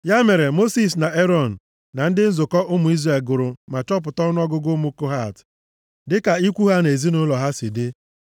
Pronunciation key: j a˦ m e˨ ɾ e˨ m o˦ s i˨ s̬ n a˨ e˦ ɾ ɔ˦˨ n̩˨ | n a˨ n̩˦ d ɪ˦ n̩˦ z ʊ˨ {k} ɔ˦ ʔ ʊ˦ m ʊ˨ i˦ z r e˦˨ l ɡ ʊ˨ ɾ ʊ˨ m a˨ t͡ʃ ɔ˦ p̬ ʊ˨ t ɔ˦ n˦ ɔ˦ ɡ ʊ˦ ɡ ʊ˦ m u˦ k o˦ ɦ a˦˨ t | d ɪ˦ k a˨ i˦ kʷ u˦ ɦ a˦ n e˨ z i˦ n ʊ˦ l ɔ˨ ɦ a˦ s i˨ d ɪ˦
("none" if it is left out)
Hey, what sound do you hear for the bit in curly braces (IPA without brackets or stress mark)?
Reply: k